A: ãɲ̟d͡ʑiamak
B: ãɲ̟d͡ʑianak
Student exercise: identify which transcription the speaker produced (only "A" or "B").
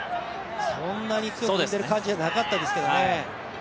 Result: B